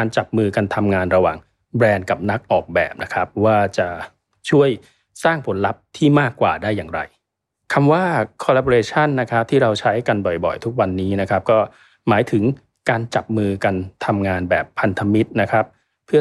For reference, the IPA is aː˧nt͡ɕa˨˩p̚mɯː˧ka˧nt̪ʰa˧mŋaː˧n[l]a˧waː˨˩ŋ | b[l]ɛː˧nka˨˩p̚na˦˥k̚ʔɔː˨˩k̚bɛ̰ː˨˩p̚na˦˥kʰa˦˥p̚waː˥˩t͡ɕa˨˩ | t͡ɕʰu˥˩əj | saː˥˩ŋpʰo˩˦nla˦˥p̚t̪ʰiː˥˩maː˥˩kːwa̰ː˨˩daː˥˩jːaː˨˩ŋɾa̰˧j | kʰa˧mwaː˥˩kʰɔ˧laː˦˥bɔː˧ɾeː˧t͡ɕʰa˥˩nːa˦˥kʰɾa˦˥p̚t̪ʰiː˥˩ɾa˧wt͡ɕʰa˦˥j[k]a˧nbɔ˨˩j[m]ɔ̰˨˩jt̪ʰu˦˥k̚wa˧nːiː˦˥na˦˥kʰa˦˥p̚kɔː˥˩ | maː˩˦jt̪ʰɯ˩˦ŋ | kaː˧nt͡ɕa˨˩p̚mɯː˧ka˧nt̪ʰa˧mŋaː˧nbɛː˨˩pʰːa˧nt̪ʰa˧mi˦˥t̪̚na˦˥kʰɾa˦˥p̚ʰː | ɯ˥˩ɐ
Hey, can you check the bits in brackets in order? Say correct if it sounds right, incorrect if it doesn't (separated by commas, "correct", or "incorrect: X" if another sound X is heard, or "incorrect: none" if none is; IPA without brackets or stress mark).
incorrect: ɾ, incorrect: ɾ, correct, incorrect: b